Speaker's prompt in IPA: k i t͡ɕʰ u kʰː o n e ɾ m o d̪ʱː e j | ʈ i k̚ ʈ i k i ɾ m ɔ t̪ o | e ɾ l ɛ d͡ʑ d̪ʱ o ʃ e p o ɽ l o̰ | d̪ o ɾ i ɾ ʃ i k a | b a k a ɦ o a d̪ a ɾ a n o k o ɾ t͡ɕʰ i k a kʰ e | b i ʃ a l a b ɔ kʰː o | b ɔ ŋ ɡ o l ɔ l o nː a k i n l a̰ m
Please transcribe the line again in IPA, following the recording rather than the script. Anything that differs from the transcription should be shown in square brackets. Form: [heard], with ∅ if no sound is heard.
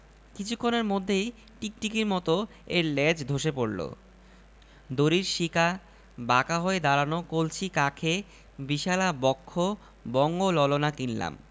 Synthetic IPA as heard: k i t͡ɕʰ u kʰː o n e ɾ m o d̪ʱː e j | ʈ i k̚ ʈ i k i ɾ m ɔ t̪ o | e ɾ l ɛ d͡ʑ d̪ʱ o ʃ e p o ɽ l o̰ | d̪ o ɾ i ɾ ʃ i k a | b a k a ɦ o [e] d̪ a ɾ a n o k o [l] t͡ɕʰ i k a kʰ e | b i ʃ a l a b ɔ kʰː o | b ɔ ŋ ɡ o l ɔ l o [n] a k i n l a̰ m

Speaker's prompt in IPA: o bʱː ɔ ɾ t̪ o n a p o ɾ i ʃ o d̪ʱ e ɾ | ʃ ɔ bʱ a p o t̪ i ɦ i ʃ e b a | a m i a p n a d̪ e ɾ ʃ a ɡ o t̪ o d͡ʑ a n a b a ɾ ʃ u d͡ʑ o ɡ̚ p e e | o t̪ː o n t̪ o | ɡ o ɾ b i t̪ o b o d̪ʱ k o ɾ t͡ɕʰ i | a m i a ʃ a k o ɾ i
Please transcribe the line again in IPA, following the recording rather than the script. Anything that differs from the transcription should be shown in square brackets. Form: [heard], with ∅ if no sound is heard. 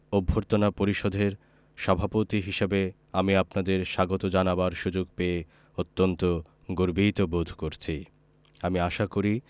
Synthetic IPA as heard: o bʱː [o] ɾ t̪ o n a p o ɾ i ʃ o d̪ʱ e ɾ | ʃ ɔ bʱ a p o t̪ i ɦ i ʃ e b [e] | a m i a p n a d̪ e ɾ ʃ a ɡ o t̪ o d͡ʑ a n a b a ɾ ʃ u d͡ʑ o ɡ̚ p e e | o t̪ː o n t̪ o | ɡ o ɾ b i t̪ o b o d̪ʱ k o ɾ t͡ɕʰ i | a m i a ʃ a k o ɾ i

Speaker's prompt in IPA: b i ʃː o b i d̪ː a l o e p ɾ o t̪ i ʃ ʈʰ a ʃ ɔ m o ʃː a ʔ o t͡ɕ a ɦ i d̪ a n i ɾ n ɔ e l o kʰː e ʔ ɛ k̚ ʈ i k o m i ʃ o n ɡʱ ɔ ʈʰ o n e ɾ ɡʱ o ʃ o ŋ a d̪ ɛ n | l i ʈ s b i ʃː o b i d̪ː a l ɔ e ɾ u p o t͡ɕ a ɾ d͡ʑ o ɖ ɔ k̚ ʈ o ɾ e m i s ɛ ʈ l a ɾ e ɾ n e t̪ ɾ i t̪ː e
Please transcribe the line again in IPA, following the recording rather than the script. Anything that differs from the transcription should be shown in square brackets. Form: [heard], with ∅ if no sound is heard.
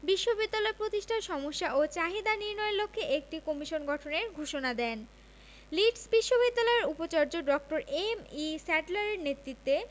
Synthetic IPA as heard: b i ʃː o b i d̪ː a l [ɔ] e p ɾ o t̪ i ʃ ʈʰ a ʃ ɔ m o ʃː a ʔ o t͡ɕ a ɦ i d̪ a n i ɾ n ɔ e l o kʰː e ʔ [e] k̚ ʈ i k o m i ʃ o n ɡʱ ɔ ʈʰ o n e ɾ ɡʱ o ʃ o [n] a d̪ ɛ n | l i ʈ s b i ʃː o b i d̪ː a l ɔ e ɾ u p o t͡ɕ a ɾ d͡ʑ o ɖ ɔ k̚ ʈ o ɾ e m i s ɛ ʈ l a ɾ e ɾ n e t̪ ɾ i t̪ː e

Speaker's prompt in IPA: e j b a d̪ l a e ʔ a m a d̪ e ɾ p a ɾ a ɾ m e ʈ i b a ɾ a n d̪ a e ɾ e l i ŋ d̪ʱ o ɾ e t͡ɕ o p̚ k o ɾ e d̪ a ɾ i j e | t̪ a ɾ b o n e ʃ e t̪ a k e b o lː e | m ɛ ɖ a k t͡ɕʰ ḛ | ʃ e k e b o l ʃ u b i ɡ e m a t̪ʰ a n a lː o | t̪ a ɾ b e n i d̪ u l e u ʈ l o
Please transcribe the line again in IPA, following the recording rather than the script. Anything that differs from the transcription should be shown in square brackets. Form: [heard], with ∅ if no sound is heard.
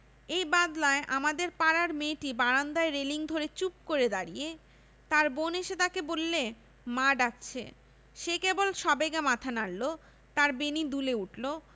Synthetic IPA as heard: e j b a d̪ l a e ʔ a m a d̪ e ɾ p a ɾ a ɾ m e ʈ i b a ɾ a n d̪ a e ɾ e l i ŋ d̪ʱ o ɾ e t͡ɕ [u] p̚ k o ɾ e d̪ a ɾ i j e | t̪ a ɾ b o n e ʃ e t̪ a k e b o lː e | m [a] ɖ a k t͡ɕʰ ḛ | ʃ e k e b o l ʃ [ɔ] b [e] ɡ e m a t̪ʰ a n a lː o | t̪ a ɾ b e n i d̪ u l e u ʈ l o

